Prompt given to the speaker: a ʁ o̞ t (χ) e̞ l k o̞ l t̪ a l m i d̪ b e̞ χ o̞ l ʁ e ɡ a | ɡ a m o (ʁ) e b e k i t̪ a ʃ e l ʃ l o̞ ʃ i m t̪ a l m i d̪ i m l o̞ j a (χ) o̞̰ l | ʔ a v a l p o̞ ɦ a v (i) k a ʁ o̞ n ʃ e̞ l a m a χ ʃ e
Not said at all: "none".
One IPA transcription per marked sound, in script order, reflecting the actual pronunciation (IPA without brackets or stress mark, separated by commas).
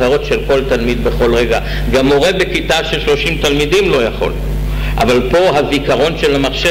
ʃ, ʁ, χ, i